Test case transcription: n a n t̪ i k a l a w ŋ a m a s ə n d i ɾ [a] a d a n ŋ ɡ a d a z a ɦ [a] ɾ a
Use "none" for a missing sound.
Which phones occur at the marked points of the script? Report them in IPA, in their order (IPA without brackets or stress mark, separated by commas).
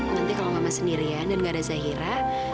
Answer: i, i